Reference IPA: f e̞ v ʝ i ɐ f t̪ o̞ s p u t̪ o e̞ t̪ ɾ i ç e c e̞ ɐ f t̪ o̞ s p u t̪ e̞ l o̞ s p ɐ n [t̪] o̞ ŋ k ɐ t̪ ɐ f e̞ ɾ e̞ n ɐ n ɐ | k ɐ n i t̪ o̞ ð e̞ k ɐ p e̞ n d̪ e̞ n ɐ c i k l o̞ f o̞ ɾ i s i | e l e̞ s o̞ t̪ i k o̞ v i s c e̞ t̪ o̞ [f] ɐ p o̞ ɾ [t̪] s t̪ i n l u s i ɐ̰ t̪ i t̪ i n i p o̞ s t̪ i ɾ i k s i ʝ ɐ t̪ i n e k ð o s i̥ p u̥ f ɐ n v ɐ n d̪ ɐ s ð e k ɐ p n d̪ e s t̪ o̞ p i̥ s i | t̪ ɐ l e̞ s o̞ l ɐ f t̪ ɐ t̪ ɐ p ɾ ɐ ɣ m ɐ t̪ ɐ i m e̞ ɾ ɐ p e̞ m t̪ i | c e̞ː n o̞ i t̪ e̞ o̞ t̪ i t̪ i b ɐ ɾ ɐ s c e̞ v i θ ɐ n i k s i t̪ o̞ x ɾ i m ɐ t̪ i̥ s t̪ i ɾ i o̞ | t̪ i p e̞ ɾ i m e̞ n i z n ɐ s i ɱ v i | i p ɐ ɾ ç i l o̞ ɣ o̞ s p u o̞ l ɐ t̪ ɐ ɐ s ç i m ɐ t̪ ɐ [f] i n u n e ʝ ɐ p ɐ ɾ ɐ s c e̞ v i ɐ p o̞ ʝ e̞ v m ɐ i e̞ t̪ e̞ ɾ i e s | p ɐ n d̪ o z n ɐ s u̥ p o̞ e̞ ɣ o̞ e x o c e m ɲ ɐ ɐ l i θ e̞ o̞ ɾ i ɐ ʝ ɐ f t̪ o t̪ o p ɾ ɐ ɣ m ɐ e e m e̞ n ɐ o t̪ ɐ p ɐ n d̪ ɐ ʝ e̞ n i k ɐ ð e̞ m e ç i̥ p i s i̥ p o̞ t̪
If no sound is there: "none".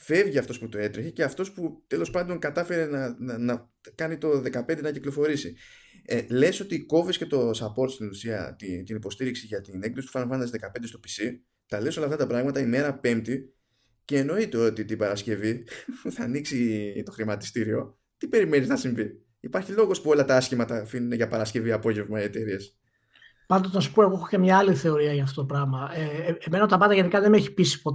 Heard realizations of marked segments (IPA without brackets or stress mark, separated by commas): d̪, s, t̪, f